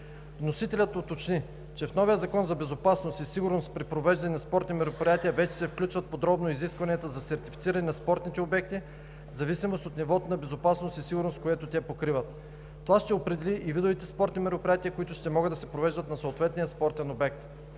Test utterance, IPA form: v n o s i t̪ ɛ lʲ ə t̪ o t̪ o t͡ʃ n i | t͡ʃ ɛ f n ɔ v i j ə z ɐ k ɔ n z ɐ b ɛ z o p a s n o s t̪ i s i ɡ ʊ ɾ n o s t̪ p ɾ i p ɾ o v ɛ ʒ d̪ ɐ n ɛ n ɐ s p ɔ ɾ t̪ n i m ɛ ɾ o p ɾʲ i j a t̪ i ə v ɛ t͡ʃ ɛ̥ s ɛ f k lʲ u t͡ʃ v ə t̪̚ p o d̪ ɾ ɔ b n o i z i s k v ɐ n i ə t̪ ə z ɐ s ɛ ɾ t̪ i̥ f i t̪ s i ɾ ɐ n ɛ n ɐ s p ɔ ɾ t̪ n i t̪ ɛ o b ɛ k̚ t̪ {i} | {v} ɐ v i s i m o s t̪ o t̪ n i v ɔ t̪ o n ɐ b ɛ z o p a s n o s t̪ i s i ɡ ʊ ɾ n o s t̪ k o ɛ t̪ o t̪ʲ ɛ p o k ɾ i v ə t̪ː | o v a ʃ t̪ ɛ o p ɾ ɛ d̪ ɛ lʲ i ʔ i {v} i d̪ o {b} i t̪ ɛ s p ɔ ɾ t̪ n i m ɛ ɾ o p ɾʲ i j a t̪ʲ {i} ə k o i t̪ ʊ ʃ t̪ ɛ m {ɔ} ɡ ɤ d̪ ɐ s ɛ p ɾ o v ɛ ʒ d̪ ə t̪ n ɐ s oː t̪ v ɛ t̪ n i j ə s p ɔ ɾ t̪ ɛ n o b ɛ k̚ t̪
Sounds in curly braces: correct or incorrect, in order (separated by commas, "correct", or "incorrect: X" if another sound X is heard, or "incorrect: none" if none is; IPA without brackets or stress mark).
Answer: correct, incorrect: z, correct, incorrect: v, correct, correct